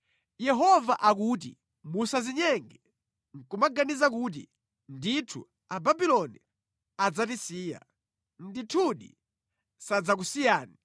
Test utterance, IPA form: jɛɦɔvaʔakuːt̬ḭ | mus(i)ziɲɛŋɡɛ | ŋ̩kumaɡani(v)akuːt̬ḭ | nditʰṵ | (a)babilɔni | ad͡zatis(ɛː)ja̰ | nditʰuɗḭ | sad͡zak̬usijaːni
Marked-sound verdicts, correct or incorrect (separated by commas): incorrect, incorrect, correct, incorrect